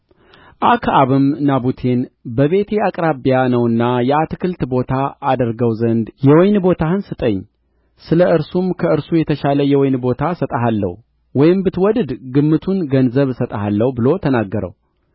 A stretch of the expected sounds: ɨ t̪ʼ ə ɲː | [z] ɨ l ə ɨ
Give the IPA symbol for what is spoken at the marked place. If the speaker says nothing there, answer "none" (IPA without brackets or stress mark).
s